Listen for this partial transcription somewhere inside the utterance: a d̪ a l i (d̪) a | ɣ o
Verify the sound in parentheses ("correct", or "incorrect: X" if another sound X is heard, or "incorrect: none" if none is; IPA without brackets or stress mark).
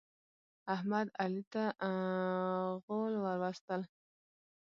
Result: incorrect: t̪